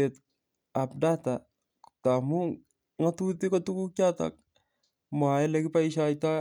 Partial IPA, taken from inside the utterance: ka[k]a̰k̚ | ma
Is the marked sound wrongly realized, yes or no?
yes